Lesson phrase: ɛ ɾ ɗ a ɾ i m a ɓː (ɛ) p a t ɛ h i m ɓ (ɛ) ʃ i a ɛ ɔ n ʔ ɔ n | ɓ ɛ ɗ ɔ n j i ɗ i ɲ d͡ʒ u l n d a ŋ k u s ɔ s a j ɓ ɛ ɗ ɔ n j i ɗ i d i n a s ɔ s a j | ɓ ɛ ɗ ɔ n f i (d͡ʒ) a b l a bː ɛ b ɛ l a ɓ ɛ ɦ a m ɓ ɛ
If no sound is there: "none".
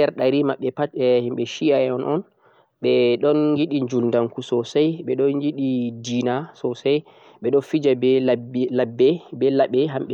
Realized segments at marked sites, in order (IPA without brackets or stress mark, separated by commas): ɛ, ɛ, d͡ʒ